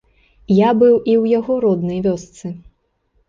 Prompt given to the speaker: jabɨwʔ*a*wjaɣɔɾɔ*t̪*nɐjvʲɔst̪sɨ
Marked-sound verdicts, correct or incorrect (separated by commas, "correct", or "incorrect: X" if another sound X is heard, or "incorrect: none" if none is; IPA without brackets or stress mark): incorrect: i, incorrect: d̪